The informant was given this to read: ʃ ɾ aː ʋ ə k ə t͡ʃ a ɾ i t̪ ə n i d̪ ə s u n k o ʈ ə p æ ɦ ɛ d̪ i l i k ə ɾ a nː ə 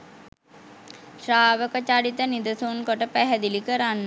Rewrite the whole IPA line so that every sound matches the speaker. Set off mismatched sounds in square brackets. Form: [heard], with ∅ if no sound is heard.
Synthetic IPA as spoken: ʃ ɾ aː ʋ ə k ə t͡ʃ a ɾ i t̪ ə n i d̪ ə s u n k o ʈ ə p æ ɦ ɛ d̪ i l i k ə ɾ a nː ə